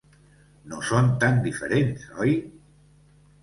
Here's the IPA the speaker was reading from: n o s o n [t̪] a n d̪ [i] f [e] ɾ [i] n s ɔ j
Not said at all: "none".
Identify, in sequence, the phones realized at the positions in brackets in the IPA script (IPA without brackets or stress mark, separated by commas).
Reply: t̪, i, e, e